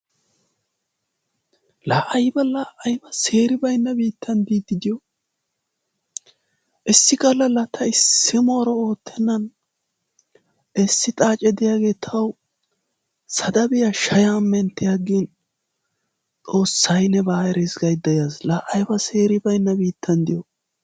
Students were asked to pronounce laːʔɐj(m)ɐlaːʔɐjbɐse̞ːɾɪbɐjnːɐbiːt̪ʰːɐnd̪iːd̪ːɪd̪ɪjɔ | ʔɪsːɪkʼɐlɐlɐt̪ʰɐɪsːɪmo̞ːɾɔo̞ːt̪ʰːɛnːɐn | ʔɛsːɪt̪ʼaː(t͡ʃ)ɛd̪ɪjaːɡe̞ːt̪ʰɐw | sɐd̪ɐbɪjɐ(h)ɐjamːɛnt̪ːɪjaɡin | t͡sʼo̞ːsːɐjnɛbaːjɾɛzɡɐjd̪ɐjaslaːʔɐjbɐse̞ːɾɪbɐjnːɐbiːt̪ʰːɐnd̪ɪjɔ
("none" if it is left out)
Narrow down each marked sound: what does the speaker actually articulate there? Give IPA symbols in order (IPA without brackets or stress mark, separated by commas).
b, t͡ʃʼ, ʃ